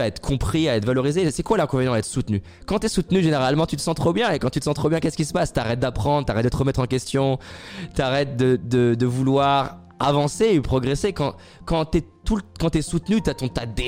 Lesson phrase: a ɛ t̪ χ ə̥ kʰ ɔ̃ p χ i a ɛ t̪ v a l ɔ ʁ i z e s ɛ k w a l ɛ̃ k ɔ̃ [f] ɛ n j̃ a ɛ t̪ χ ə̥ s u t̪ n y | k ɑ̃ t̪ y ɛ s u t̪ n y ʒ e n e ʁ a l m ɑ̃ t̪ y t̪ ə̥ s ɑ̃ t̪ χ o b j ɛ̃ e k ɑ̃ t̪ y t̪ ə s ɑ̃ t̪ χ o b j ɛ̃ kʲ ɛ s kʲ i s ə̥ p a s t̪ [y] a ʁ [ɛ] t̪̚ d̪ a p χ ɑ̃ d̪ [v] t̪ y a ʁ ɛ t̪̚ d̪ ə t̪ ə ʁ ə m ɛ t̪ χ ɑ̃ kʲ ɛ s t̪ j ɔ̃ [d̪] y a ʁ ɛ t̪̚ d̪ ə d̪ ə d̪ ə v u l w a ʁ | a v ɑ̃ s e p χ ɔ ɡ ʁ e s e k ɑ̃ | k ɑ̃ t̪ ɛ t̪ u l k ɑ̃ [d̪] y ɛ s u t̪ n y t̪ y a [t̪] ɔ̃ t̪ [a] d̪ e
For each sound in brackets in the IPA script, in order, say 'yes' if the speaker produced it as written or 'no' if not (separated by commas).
no, yes, yes, no, no, no, yes, yes